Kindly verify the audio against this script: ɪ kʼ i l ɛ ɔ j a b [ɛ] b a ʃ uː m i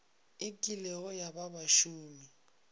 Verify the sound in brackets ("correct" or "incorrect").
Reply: incorrect